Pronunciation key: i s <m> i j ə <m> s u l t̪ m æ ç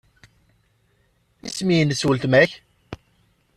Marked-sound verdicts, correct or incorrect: correct, incorrect

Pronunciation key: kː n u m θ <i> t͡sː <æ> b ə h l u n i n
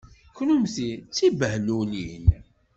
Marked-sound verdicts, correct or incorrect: correct, incorrect

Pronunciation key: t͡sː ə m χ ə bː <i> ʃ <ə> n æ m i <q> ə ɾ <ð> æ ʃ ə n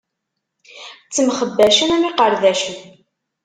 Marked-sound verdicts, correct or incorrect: incorrect, correct, correct, correct

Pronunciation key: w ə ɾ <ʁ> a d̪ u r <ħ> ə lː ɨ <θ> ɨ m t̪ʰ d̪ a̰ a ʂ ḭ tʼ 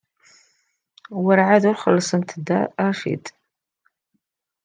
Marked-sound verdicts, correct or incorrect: incorrect, incorrect, incorrect

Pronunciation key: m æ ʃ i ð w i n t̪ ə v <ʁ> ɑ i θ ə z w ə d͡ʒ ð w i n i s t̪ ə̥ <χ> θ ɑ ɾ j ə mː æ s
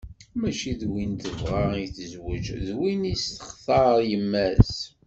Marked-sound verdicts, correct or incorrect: correct, correct

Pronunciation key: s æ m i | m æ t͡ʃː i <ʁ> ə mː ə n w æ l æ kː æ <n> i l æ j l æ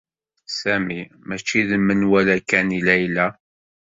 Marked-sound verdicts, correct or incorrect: incorrect, correct

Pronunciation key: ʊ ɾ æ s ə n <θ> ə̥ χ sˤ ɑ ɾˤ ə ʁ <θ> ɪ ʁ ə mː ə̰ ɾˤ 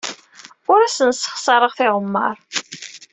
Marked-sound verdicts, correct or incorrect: incorrect, correct

